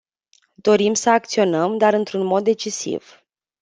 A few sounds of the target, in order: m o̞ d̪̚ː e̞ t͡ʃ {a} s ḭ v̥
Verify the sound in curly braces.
incorrect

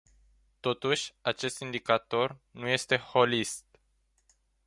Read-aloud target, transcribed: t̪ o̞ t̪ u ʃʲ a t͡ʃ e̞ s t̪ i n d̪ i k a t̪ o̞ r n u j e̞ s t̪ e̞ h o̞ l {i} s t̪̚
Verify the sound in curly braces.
correct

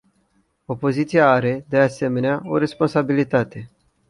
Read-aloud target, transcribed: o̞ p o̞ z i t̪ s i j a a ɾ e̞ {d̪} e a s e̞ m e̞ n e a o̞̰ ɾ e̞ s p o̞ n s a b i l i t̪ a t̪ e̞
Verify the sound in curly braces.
correct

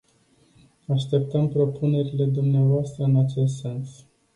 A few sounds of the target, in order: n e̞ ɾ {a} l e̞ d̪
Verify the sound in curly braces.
incorrect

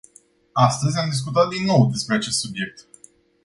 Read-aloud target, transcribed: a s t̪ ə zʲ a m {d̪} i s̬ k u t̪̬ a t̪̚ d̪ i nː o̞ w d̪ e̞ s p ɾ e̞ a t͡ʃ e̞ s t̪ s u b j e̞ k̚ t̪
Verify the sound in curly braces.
correct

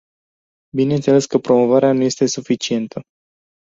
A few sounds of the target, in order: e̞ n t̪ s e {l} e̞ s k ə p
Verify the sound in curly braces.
correct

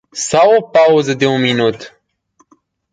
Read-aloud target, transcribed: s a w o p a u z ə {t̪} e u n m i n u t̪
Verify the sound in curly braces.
incorrect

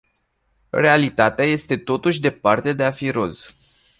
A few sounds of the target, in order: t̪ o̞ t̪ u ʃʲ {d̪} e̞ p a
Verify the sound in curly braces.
correct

